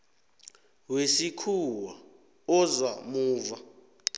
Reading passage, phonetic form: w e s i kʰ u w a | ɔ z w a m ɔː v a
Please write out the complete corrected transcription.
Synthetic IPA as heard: w e s i kʰ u w a | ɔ z w a m uː v a